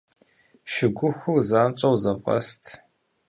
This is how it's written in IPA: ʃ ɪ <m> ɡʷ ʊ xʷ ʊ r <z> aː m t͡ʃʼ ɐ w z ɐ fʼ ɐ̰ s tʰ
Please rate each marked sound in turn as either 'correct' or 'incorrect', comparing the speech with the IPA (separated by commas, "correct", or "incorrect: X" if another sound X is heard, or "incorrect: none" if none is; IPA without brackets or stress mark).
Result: incorrect: none, correct